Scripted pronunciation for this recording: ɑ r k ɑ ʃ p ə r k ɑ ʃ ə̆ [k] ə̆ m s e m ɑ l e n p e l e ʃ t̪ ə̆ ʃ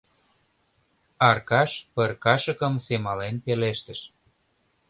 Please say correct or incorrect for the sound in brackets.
correct